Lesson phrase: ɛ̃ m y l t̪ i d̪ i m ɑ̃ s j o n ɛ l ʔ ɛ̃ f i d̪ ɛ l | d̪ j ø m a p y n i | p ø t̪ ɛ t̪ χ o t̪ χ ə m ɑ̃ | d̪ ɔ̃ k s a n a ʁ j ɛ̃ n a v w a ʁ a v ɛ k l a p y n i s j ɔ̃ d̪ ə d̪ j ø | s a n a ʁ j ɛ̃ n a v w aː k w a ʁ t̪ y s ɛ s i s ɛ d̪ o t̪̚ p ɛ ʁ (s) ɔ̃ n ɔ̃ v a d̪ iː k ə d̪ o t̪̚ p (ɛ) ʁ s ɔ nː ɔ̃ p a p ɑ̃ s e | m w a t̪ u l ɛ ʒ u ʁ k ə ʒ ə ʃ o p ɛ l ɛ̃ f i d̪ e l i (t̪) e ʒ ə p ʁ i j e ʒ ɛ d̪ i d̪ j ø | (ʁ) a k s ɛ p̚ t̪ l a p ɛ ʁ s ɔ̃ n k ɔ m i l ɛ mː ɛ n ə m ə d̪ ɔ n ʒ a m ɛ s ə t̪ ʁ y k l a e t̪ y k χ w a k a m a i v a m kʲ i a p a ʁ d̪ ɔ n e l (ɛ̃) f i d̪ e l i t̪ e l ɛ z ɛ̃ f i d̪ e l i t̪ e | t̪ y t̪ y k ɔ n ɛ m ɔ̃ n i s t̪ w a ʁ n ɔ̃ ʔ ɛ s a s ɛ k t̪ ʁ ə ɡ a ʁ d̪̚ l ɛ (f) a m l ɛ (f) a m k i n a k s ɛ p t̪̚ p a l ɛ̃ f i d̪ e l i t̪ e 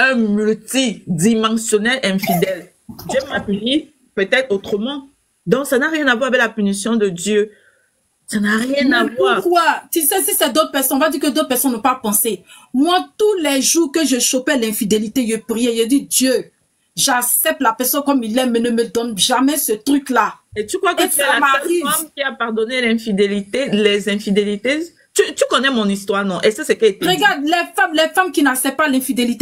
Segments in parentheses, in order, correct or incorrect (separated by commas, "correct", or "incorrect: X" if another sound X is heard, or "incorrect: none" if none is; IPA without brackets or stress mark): correct, correct, correct, incorrect: ʒ, correct, correct, correct